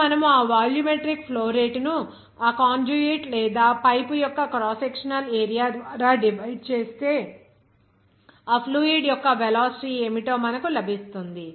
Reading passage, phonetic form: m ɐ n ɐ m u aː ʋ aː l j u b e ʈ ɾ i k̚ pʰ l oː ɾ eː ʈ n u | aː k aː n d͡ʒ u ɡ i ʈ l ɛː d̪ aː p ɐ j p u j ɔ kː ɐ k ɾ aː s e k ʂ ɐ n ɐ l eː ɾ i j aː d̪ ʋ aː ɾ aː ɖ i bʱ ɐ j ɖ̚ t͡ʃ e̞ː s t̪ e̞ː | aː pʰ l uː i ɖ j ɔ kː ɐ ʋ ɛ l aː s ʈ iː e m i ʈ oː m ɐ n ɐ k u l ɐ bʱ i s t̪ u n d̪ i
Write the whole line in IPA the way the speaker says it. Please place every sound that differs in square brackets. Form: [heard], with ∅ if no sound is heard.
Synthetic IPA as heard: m ɐ n ɐ m u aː ʋ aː l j u [m] e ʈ ɾ i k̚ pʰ l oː ɾ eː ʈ n u | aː k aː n d͡ʒ u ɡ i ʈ l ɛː d̪ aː p ɐ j p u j ɔ kː ɐ k ɾ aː s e k ʂ ɐ n ɐ l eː ɾ i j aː d̪ ʋ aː ɾ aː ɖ i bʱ ɐ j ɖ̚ t͡ʃ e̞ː s t̪ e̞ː | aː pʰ l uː i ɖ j ɔ kː ɐ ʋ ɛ l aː s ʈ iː e m i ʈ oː m ɐ n ɐ k u l ɐ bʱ i s t̪ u n d̪ i